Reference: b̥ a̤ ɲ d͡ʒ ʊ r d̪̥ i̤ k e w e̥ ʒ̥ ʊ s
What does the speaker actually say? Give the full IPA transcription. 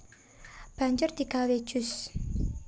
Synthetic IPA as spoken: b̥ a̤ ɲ d͡ʒ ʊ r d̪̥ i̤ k a w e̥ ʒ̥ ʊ s